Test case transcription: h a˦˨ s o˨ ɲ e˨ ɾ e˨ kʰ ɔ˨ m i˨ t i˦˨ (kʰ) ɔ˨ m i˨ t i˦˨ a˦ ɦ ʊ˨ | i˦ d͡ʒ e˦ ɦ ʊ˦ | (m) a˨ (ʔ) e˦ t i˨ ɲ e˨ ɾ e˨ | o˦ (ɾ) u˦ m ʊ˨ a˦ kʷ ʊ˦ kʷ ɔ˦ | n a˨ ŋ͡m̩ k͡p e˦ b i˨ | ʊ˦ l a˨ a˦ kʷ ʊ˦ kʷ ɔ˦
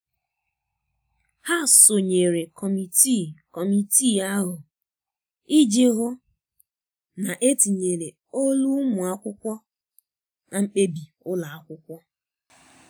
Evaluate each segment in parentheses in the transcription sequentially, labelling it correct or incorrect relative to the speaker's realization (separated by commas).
incorrect, incorrect, correct, incorrect